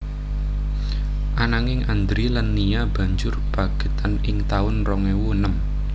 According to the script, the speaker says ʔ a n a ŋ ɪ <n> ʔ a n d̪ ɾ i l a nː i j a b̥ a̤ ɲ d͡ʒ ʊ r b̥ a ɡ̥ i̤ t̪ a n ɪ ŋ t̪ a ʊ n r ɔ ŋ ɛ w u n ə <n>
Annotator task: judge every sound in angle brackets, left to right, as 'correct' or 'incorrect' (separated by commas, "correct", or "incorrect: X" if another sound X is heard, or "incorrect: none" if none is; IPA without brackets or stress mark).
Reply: incorrect: ŋ, incorrect: m